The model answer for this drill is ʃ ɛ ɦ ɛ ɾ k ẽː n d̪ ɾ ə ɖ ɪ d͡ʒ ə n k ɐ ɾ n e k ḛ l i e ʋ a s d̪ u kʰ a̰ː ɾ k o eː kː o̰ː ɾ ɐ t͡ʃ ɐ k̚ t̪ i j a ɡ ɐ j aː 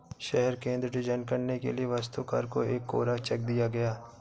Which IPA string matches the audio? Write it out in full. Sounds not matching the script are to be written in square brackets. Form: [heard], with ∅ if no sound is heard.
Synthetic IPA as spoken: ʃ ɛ ɦ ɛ ɾ k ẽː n d̪ ɾ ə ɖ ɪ d͡ʒ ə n k ɐ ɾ n e k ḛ l i e ʋ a s [t̪] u [k] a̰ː ɾ k o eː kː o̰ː ɾ [a] t͡ʃ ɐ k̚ [d̪] i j a ɡ ɐ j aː